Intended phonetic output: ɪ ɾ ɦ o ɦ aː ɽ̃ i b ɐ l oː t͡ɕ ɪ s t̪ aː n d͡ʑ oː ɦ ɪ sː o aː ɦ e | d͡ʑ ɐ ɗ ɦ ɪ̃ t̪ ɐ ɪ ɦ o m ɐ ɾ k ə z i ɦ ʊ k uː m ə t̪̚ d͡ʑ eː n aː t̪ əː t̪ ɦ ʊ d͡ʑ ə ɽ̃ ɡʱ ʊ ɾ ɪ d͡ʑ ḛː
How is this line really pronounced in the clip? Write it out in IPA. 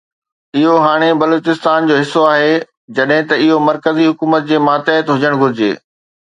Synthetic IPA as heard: ɪ ɦ o ɦ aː ɽ̃ e b ɐ l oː t͡ɕ ɪ s t̪ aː n d͡ʑ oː ɦ ɪ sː o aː ɦ e | d͡ʑ ɐ ɗ ɦ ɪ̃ t̪ ɐ ɪ ɦ o m ɐ ɾ k ə z i ɦ ʊ k uː m ə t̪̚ d͡ʑ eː m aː t̪ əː t̪ ɦ ʊ d͡ʑ ə ɽ̃ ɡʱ ʊ ɾ ɪ d͡ʑ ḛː